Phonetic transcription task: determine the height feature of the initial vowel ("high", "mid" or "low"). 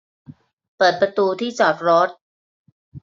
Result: mid